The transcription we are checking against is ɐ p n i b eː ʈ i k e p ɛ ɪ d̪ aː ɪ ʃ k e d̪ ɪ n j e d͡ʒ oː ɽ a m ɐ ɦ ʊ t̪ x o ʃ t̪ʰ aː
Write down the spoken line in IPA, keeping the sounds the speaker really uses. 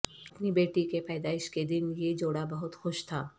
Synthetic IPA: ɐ p n i b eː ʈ i k e p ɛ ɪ d̪ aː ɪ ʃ k e d̪ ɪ n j e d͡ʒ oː ɽ a b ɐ ɦ ʊ t̪ x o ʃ t̪ʰ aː